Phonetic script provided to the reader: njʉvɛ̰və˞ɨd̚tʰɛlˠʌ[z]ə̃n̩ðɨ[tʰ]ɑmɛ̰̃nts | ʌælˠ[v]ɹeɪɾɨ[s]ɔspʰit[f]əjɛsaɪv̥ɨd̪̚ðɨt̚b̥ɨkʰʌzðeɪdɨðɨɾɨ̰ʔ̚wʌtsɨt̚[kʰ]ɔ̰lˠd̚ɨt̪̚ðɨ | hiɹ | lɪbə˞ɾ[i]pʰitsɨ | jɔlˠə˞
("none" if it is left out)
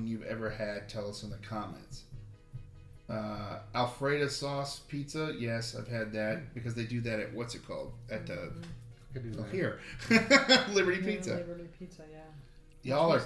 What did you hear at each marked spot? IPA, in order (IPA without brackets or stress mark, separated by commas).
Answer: s, kʰ, f, s, s, kʰ, i